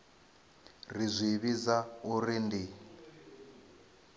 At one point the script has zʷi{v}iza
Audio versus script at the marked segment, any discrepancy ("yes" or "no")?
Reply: yes